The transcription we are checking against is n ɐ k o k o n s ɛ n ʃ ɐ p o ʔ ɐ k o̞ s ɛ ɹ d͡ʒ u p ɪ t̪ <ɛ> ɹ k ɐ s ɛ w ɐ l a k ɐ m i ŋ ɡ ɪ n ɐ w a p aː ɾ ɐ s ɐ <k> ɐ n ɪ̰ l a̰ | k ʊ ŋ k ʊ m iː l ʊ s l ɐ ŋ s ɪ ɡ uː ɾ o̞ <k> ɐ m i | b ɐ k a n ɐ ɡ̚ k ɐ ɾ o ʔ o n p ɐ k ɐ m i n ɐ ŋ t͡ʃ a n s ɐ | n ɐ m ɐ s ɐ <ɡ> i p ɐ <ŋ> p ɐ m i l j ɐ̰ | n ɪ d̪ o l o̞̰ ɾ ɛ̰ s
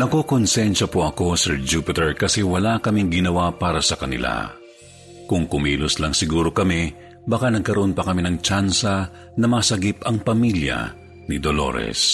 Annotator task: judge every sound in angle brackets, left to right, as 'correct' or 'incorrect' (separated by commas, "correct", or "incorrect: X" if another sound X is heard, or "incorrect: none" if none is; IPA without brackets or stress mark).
correct, correct, correct, correct, correct